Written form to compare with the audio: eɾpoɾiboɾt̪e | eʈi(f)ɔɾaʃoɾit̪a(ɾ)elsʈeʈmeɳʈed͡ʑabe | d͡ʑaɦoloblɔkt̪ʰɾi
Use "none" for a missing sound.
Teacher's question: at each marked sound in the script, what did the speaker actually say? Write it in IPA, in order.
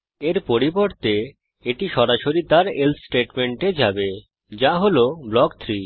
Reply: ʃ, ɾ

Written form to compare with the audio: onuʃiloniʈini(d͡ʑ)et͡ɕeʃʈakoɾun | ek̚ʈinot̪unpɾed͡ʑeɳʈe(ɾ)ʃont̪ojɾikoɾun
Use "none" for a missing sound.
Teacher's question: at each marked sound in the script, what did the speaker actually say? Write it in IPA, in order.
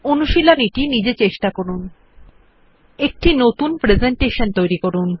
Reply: d͡ʑ, none

